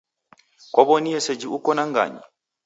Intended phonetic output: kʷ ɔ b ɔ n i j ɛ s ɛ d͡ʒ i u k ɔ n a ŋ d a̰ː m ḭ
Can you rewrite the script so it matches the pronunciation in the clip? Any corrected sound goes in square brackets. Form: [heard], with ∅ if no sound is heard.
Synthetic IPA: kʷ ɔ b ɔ n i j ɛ s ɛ d͡ʒ i u k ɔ n a ŋ [ɡ] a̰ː [ɲ] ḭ

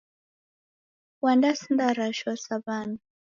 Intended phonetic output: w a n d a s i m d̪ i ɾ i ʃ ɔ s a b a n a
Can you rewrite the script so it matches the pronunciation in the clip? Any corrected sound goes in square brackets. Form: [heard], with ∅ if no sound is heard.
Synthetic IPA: w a n d a s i [n] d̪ [a] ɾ [a] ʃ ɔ s a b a n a

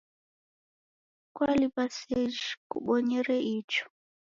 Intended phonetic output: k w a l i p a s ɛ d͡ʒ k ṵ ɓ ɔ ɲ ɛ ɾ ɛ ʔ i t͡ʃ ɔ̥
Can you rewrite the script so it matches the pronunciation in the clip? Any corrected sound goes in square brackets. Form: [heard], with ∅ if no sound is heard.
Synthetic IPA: k w a l i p a s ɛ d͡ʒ k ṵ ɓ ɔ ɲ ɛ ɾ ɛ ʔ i t͡ʃ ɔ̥

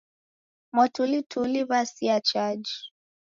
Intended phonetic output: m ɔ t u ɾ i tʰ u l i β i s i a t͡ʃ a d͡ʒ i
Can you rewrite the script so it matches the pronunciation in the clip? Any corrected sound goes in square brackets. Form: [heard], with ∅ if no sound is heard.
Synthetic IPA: m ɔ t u [l] i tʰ u l i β [a] s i a t͡ʃ a d͡ʒ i

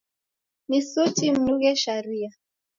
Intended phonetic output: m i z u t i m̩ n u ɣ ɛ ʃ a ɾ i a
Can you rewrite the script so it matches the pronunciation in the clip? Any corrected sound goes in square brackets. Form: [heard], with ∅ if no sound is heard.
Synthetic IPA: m i [s] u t i m̩ n u ɣ ɛ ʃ a ɾ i a

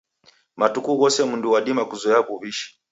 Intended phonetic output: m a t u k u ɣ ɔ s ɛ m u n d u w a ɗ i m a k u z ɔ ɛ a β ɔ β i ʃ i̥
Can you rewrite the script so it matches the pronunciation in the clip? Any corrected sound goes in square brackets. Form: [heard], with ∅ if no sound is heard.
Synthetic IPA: m a t u k u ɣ ɔ s ɛ m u n d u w a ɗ i m a k u z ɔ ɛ a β [u] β i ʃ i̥

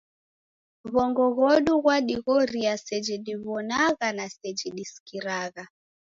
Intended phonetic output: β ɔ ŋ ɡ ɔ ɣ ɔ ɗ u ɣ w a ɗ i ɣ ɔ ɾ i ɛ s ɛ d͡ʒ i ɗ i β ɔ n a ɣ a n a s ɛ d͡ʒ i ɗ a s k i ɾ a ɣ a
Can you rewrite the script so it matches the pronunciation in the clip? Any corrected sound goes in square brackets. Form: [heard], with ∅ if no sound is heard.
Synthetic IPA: β ɔ ŋ ɡ ɔ ɣ ɔ ɗ u ɣ w a ɗ i ɣ ɔ ɾ i [a] s ɛ d͡ʒ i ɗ i β ɔ n a ɣ a n a s ɛ d͡ʒ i ɗ [i] s k i ɾ a ɣ a

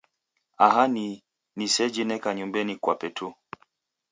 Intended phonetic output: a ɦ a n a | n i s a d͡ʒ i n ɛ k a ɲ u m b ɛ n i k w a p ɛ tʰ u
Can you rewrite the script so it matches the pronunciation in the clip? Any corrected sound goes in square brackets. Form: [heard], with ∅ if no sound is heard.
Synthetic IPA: a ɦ a n [i] | n i s [ɛ] d͡ʒ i n ɛ k a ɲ u m b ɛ n i k w a p ɛ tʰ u

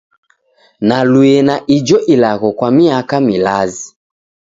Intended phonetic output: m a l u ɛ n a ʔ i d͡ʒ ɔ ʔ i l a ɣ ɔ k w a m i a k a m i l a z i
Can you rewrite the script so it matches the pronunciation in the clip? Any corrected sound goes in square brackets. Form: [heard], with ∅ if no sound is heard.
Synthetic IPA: [n] a l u ɛ n a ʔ i d͡ʒ ɔ ʔ i l a ɣ ɔ k w a m i a k a m i l a z i

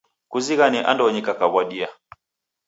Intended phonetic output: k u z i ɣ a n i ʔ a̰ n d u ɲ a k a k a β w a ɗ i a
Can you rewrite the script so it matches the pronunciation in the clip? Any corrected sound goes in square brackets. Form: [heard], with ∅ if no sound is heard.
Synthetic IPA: k u z i ɣ a n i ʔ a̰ n d [ɔ] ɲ [i] k a k a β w a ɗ i a

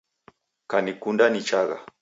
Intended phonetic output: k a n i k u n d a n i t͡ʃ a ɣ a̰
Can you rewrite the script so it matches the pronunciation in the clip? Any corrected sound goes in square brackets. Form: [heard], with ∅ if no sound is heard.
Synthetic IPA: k a n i k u n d a n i t͡ʃ a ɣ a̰

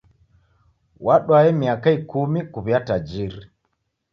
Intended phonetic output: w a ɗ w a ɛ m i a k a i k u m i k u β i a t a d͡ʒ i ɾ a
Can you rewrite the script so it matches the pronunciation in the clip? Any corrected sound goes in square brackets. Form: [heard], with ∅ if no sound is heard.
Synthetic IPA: w a ɗ w a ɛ m i a k a i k u m i k u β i a t a d͡ʒ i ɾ [i]

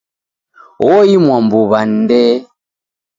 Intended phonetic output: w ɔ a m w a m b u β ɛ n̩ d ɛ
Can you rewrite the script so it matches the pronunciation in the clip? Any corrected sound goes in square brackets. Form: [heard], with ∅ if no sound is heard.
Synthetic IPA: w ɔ [i] m w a m b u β [a] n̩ d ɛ

